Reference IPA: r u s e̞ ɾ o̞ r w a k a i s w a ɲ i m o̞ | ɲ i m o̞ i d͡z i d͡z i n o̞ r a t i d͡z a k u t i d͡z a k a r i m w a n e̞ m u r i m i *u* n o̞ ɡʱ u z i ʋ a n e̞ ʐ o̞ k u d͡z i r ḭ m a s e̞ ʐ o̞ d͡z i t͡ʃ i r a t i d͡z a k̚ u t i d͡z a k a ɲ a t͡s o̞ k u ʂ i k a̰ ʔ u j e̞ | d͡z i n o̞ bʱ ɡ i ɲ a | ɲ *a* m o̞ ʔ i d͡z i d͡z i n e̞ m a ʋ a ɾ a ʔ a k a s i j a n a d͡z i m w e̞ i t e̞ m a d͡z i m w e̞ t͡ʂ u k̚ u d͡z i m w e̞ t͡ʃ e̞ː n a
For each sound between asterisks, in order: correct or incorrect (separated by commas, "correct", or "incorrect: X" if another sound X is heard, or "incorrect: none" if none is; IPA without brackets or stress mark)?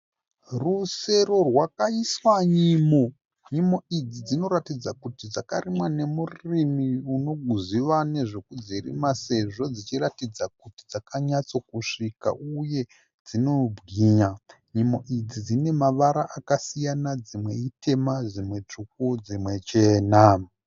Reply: correct, incorrect: i